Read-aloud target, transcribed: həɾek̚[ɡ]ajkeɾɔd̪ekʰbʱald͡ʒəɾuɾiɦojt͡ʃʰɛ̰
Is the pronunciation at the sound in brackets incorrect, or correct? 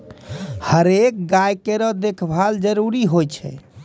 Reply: correct